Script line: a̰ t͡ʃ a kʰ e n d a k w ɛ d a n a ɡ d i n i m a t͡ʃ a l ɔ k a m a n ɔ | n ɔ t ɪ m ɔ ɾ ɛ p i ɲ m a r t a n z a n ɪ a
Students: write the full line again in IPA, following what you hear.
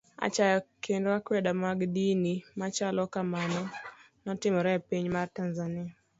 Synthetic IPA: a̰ t͡ʃ a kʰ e n d a k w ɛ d a m a ɡ d i n i m a t͡ʃ a l ɔ k a m a n ɔ | n ɔ t ɪ m ɔ ɾ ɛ p i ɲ m a r t a n z a n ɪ a

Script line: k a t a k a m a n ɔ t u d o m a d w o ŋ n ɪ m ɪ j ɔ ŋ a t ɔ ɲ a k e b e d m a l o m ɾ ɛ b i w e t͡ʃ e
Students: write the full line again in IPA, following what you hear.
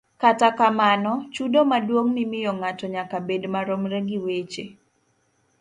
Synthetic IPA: k a t a k a m a n ɔ t͡ʃ u d o m a d w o ŋ n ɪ m ɪ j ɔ ŋ a t ɔ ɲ a k a b e d m a ɾ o m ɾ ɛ ɡ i w e t͡ʃ e

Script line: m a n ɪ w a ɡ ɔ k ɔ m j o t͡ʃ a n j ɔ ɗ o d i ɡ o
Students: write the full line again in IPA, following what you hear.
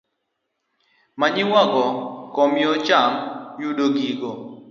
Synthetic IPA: m a ɲ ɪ w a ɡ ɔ k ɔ m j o t͡ʃ a m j u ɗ o ɡ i ɡ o

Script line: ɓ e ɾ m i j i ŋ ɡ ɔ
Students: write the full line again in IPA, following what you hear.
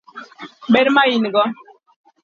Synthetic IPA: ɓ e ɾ m a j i n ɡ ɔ

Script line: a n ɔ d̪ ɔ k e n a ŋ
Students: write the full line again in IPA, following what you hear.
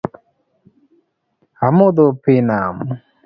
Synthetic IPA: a m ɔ d̪ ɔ p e n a m

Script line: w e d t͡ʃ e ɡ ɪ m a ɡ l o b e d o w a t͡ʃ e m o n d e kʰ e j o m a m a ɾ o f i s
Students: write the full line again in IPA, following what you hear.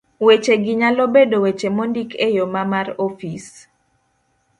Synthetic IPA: w e t͡ʃ e ɡ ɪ ɲ a l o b e d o w e t͡ʃ e m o n d i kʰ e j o m a m a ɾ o f i s

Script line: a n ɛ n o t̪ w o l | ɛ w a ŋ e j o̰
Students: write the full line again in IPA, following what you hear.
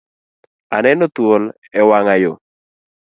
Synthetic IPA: a n ɛ n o t̪ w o l | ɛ w a ŋ a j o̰

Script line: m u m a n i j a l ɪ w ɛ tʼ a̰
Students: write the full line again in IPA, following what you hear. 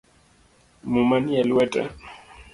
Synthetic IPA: m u m a n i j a l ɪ w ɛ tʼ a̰

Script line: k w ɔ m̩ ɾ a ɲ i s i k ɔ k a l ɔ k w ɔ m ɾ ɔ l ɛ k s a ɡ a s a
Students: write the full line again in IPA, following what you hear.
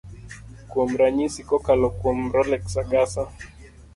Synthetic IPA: k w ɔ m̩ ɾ a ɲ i s i k ɔ k a l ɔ k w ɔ m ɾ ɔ l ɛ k s a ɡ a s a

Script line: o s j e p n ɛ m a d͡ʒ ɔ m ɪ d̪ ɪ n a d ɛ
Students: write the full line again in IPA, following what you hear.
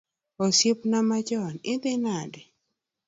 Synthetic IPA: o s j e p n a m a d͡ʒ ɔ n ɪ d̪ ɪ n a d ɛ

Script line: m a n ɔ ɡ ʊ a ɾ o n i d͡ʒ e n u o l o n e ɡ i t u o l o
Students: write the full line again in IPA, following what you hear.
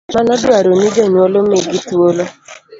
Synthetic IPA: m a n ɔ d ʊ a ɾ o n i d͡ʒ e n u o l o m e ɡ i t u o l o

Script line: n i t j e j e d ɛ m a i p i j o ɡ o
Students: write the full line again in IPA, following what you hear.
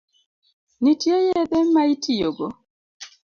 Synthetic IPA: n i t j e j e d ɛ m a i t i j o ɡ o

